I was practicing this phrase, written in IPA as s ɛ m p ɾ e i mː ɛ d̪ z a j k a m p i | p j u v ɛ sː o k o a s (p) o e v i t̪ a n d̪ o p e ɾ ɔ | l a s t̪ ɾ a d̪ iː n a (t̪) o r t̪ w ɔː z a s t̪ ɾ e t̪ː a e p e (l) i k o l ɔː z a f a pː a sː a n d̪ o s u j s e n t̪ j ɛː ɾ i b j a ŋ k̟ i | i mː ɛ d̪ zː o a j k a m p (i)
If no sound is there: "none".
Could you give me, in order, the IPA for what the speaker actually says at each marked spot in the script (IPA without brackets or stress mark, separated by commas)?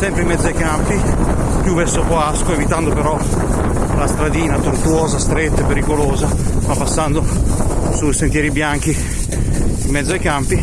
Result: k, t̪, ɾ, i